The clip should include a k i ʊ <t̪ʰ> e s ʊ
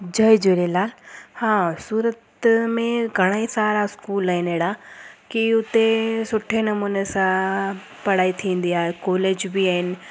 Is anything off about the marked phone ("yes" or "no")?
yes